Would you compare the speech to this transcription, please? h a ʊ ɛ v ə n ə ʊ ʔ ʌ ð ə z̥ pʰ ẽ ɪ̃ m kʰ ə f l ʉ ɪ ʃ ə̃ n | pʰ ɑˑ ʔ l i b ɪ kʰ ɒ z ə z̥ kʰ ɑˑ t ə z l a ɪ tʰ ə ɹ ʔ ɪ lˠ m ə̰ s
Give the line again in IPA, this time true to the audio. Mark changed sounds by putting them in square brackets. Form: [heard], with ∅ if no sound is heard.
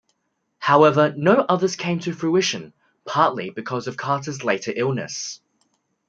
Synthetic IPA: h a ʊ ɛ v ə n ə ʊ ʔ ʌ ð ə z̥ [kʰ] ẽ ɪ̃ m [tʰ] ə f [ɹ] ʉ ɪ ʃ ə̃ n | pʰ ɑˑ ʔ l i b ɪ kʰ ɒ z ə [v̥] kʰ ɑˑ t ə z l [e] ɪ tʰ ə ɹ ʔ ɪ lˠ [n] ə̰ s

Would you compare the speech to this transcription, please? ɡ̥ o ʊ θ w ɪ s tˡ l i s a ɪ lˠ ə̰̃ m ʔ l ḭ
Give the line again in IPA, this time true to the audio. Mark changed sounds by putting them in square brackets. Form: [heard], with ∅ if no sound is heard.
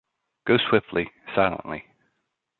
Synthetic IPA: ɡ̥ o ʊ [s] w ɪ [f] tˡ l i s a ɪ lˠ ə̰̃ [n] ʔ l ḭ

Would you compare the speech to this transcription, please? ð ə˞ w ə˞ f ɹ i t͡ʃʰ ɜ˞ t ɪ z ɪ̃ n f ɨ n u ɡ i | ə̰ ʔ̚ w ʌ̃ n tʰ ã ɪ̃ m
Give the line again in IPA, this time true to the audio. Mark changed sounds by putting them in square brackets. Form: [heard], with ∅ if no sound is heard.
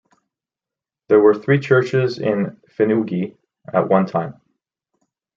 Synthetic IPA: ð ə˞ w ə˞ [θ] ɹ i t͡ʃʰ ɜ˞ [t͡ʃ] ɪ z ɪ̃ n f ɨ n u ɡ i | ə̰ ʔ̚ w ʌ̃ n tʰ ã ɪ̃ m

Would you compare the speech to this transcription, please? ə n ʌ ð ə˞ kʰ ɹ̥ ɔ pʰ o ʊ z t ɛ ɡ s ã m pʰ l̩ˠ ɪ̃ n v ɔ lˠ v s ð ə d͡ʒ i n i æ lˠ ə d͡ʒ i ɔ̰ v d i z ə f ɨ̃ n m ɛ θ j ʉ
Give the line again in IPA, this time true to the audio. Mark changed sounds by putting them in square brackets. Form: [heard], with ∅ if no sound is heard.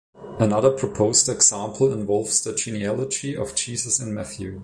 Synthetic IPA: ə n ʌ ð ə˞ [pʰ] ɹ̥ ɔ pʰ o ʊ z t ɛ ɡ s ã m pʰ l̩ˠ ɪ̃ n v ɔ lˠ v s ð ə d͡ʒ i n i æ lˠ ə d͡ʒ i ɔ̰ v [d͡ʒ] i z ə [s] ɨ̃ n m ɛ θ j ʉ

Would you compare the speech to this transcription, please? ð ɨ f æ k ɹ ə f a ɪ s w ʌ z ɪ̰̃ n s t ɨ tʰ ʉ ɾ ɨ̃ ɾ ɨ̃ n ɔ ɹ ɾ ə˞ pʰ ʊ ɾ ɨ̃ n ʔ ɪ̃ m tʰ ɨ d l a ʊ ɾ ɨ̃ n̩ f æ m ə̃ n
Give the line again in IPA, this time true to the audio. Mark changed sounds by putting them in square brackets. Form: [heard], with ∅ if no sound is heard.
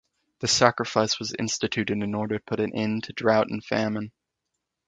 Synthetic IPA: ð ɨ [s] æ k ɹ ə f a ɪ s w ʌ z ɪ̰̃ n s t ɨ tʰ ʉ ɾ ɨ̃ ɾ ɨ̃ n ɔ ɹ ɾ ə˞ pʰ ʊ ɾ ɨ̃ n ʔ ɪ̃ [n] tʰ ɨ d [ɹ] a ʊ ɾ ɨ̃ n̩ f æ m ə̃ n

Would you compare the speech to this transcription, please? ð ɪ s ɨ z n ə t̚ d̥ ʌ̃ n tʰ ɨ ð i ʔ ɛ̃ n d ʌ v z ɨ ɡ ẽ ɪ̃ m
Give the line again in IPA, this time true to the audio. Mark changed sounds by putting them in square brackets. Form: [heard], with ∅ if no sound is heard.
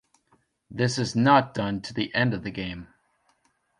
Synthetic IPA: ð ɪ s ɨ z n ə t̚ d̥ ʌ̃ n tʰ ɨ ð i ʔ ɛ̃ n d ʌ v [ð] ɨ ɡ ẽ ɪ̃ m

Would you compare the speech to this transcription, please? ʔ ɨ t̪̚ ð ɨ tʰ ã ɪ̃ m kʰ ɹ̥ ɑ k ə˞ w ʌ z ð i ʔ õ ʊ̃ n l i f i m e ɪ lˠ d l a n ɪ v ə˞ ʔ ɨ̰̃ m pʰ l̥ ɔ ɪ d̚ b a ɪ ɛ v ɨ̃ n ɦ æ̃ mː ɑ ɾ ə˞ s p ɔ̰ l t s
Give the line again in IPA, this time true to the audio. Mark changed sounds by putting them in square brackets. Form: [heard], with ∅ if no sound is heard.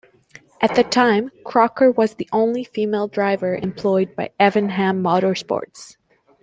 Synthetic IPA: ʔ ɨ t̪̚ ð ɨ tʰ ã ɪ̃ m kʰ ɹ̥ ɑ k ə˞ w ʌ z ð i ʔ õ ʊ̃ n l i f i m e ɪ lˠ d [ɹ] a [∅] ɪ v ə˞ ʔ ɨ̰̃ m pʰ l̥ ɔ ɪ d̚ b a ɪ ɛ v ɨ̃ n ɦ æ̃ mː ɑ ɾ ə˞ s p ɔ̰ [ɹ] t s

